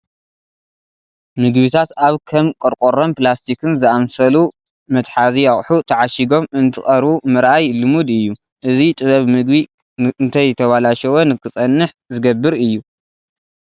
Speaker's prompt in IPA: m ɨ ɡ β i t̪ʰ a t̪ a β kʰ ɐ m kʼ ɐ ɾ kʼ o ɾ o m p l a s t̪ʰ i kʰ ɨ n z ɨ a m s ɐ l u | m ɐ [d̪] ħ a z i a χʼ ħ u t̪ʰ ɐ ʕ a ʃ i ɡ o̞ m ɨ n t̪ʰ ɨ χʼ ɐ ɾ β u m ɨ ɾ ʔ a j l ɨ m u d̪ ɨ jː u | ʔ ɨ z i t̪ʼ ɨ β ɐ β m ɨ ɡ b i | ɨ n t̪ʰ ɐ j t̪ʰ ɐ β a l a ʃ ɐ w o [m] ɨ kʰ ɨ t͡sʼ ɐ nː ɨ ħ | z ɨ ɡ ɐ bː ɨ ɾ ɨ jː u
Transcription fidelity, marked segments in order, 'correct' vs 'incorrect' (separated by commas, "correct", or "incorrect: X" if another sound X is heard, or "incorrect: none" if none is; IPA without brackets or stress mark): incorrect: t̪, incorrect: n